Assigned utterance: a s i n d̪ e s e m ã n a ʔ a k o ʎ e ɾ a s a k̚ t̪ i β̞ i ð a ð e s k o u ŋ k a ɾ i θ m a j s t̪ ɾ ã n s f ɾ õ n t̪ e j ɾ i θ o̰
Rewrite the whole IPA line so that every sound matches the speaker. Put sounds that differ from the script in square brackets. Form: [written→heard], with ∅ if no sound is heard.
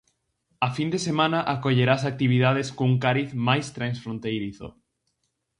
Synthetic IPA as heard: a [s→f] i n d̪ e s e m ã n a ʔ a k o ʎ e ɾ a s a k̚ t̪ i β̞ i ð a ð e s k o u ŋ k a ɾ i θ m a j s t̪ ɾ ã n s f ɾ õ n t̪ e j ɾ i θ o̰